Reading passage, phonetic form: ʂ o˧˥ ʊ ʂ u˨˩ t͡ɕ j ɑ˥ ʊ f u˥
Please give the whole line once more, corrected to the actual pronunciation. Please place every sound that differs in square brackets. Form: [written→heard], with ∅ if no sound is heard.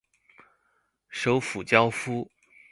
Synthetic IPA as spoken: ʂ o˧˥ ʊ [ʂ→f] u˨˩ t͡ɕ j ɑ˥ ʊ f u˥